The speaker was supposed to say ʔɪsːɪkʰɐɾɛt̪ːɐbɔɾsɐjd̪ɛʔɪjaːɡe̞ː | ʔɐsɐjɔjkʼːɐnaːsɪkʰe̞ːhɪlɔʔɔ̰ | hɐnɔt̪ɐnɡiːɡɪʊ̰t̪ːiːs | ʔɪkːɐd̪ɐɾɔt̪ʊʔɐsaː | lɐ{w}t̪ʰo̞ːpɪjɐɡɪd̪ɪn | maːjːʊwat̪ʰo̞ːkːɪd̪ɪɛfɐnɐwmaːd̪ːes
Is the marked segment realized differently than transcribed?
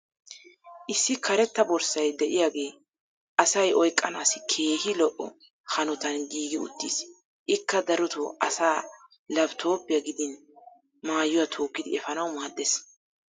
yes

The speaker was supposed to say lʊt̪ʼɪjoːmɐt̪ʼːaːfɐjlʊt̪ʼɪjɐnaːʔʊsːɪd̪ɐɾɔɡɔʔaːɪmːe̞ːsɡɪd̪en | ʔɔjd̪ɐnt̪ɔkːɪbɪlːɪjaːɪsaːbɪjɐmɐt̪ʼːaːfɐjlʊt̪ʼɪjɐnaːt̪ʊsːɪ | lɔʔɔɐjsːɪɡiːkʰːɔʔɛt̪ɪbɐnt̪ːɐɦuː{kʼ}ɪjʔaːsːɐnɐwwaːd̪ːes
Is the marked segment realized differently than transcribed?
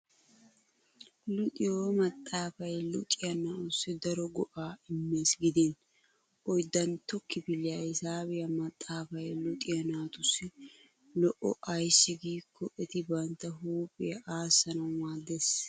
yes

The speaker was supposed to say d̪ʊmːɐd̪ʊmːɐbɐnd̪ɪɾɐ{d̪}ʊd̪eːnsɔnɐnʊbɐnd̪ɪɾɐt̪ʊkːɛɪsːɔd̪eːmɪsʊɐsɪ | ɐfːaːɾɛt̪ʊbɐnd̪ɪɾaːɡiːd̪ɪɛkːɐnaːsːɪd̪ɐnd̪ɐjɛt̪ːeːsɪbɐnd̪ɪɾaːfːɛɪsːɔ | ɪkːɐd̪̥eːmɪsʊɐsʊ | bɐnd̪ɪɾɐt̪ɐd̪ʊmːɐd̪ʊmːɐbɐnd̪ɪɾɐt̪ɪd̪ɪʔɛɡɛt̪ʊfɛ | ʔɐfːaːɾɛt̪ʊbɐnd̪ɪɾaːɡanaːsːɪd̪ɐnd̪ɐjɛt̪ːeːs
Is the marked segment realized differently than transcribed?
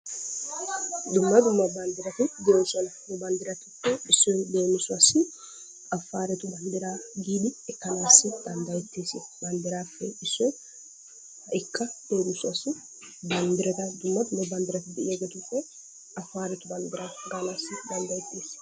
yes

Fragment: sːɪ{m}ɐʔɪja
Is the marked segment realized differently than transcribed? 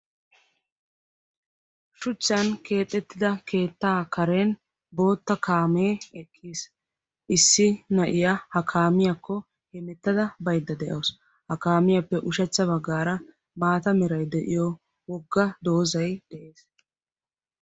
yes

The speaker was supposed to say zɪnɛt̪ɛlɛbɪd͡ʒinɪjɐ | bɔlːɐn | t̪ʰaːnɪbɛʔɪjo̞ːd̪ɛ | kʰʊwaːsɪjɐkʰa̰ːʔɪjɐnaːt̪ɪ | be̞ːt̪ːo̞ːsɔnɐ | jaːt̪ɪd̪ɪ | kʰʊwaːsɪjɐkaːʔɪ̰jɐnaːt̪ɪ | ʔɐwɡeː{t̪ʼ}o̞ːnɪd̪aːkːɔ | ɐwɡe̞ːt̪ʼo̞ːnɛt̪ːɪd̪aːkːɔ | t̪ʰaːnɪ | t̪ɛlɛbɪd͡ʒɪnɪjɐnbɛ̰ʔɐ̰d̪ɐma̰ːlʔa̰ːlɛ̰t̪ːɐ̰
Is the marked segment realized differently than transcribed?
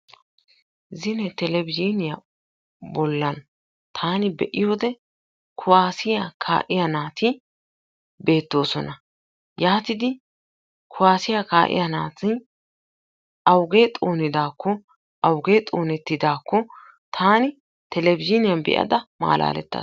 no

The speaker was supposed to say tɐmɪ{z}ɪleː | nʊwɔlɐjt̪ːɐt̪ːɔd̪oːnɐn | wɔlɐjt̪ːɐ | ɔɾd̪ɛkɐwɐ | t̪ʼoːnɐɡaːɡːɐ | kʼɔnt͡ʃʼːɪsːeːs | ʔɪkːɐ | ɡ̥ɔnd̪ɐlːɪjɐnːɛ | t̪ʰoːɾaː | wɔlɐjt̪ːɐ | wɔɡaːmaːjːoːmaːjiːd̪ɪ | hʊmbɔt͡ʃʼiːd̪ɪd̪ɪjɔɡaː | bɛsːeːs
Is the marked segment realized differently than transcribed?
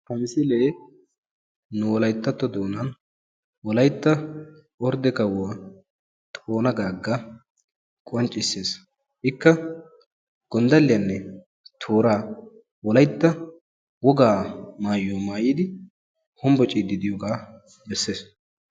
yes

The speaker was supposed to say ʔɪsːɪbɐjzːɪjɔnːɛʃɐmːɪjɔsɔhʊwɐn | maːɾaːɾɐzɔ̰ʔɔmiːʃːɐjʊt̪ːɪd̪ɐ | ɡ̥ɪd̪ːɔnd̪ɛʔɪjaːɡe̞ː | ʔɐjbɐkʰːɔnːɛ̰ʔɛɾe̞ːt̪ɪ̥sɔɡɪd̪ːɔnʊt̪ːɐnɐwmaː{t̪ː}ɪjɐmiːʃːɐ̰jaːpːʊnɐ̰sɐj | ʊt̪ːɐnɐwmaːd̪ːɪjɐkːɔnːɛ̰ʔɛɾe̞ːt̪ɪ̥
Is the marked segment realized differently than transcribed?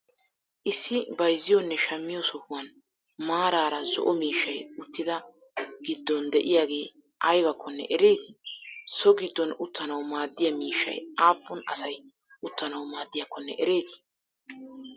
yes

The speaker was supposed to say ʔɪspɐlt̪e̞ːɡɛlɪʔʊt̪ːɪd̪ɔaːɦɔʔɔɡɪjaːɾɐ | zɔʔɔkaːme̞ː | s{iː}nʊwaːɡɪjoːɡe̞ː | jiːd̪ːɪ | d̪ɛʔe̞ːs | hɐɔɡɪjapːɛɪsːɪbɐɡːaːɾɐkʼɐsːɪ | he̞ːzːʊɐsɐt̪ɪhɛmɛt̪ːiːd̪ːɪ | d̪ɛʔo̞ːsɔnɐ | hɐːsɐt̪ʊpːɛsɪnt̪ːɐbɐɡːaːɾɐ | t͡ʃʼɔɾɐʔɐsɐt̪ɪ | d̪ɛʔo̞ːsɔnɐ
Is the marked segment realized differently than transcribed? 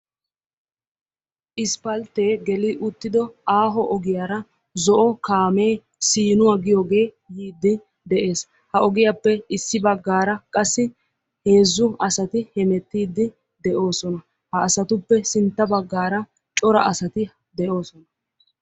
no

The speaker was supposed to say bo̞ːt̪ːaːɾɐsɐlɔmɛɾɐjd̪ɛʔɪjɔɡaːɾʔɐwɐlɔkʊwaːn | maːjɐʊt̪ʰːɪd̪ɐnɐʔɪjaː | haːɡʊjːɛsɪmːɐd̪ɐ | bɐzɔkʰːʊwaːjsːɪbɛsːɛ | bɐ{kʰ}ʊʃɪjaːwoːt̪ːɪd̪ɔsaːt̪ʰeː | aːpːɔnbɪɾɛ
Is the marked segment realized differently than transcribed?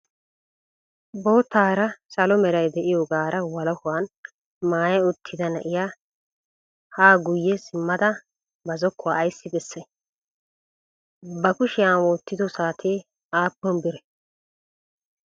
yes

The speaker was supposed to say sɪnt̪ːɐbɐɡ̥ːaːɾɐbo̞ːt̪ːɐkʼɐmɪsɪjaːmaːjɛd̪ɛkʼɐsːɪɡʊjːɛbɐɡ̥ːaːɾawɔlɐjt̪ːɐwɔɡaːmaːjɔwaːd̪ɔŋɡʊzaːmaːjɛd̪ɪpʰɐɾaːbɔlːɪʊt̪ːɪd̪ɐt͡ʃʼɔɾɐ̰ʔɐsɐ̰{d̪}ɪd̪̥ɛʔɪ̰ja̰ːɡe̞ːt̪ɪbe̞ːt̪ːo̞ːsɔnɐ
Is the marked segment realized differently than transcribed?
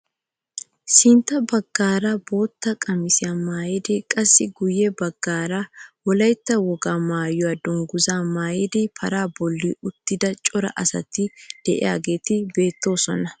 yes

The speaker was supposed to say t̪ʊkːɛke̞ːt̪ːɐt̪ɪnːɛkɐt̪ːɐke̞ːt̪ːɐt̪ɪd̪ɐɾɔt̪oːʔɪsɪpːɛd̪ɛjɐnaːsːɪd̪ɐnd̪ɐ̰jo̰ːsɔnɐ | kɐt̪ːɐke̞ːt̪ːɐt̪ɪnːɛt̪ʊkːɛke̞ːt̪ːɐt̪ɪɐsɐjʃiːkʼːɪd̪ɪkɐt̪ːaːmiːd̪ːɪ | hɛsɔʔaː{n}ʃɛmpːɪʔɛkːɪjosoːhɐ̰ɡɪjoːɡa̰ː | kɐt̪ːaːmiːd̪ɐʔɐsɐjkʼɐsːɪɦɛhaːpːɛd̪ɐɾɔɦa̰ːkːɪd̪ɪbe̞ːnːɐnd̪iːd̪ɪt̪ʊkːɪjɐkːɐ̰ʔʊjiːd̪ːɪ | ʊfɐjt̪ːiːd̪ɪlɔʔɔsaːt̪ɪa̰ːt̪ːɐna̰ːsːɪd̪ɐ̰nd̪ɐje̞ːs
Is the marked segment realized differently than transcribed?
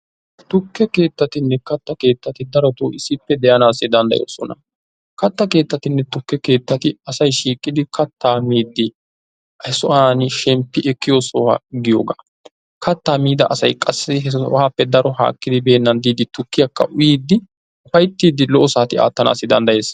no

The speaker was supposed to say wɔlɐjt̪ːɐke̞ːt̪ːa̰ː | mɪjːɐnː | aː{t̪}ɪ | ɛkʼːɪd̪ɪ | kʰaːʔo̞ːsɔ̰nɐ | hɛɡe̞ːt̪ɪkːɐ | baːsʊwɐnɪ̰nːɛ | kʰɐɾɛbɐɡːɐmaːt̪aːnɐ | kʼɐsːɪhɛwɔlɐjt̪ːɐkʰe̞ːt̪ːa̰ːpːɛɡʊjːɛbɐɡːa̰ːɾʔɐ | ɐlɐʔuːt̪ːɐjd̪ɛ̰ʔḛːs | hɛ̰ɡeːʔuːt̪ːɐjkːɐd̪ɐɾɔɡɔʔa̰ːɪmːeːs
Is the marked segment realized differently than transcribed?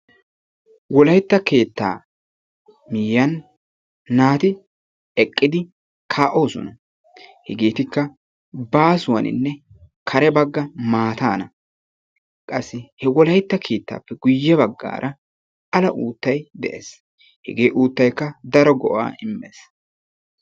no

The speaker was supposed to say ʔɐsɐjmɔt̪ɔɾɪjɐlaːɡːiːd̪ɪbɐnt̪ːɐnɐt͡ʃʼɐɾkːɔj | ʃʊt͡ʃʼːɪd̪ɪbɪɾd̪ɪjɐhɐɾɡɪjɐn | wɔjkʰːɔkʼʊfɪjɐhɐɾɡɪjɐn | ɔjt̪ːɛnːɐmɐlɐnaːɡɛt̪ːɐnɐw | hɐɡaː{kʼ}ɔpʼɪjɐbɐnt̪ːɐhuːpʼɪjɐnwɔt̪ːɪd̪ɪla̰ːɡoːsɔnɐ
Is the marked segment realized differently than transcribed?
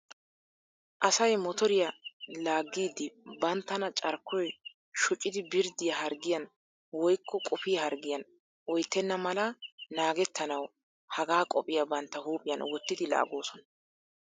no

